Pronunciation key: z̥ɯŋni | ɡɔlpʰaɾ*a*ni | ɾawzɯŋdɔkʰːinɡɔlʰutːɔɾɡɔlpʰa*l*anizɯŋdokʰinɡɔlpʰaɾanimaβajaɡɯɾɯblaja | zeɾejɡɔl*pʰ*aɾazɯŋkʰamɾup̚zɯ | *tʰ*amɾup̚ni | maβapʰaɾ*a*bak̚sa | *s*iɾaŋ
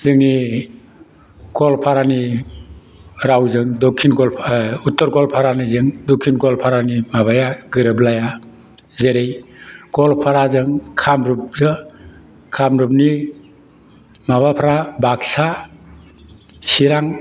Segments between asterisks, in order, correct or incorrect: correct, incorrect, correct, incorrect, correct, correct

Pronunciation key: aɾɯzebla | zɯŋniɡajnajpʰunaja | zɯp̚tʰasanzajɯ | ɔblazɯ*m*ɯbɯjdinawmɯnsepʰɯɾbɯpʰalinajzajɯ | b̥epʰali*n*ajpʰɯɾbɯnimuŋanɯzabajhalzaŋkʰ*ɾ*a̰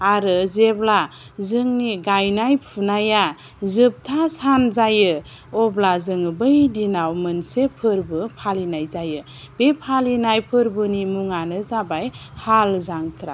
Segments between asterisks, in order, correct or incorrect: incorrect, correct, correct

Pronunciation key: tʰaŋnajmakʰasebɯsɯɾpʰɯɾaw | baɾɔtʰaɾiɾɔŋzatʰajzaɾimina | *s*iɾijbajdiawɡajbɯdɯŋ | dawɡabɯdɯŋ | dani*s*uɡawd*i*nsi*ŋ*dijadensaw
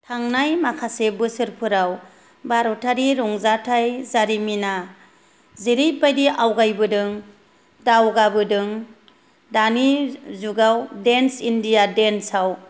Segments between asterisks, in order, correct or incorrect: incorrect, incorrect, incorrect, incorrect

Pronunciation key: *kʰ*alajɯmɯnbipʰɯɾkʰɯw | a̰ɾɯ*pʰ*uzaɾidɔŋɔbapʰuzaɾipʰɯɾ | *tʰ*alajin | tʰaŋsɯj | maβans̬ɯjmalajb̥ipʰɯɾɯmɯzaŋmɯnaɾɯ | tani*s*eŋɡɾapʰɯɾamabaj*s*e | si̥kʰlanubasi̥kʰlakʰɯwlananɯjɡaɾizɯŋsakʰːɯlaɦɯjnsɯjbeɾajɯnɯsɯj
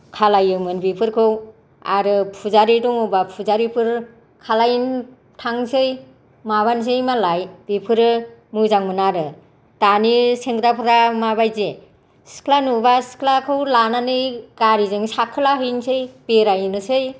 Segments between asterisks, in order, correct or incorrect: correct, correct, incorrect, correct, incorrect

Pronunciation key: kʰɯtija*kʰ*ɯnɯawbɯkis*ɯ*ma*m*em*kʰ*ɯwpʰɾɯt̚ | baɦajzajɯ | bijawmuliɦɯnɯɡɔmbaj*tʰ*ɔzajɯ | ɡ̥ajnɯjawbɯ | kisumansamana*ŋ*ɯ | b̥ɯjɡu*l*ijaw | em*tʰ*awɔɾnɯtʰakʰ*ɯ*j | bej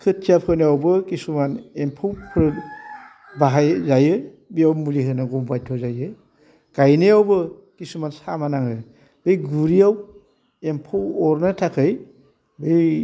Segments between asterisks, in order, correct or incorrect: incorrect, incorrect, incorrect, incorrect, correct, correct, incorrect, incorrect, correct

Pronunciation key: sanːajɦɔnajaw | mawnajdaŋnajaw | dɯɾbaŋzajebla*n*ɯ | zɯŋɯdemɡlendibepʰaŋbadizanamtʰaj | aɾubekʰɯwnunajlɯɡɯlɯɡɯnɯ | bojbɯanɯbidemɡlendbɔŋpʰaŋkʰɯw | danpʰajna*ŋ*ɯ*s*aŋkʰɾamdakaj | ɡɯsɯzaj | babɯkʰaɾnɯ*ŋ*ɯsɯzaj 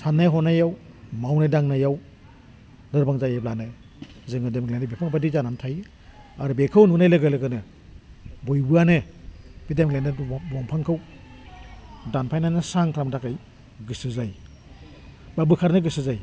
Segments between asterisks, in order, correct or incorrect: correct, incorrect, correct, incorrect

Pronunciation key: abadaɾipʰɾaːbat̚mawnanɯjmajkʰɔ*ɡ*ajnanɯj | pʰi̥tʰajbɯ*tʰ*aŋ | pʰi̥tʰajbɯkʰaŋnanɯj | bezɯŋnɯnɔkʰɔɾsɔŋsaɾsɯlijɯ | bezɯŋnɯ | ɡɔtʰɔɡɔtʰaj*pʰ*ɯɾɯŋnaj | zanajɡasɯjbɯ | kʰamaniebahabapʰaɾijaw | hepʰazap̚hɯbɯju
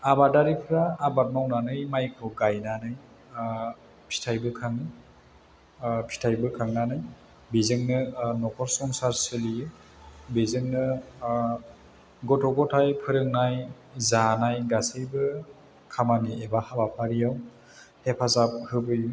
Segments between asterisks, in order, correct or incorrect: correct, incorrect, correct

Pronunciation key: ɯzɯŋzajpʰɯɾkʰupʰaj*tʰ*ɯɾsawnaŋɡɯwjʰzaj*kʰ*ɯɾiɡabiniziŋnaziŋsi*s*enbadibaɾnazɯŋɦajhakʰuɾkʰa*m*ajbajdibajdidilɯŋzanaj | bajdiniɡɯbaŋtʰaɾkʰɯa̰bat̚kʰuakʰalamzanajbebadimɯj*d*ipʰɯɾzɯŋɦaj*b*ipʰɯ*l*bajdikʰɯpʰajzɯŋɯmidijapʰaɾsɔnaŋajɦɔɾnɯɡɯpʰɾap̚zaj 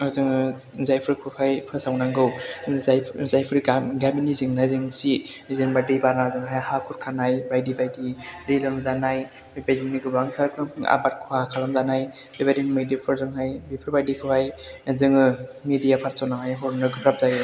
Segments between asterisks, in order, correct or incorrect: incorrect, incorrect, incorrect, incorrect, correct, correct, incorrect

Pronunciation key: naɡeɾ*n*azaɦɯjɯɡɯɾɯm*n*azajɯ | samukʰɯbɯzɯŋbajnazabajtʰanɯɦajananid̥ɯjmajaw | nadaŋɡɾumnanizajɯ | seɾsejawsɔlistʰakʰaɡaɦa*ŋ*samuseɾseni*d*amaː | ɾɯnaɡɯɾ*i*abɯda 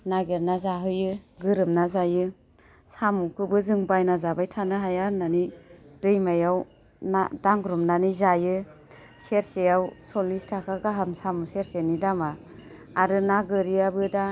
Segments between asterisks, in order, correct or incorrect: correct, correct, incorrect, correct, correct

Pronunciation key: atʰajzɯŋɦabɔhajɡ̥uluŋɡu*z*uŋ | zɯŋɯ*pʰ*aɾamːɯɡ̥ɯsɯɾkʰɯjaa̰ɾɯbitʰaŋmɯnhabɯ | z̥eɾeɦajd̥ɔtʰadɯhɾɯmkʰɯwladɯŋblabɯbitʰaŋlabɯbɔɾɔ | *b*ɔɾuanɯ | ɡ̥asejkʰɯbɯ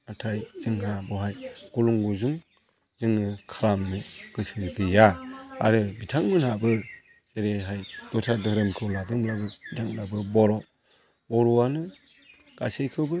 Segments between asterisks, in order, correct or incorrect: correct, incorrect, correct

